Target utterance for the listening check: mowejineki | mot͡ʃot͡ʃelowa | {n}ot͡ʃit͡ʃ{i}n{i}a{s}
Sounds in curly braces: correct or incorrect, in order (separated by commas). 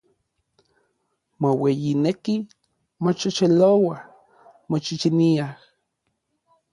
incorrect, correct, correct, incorrect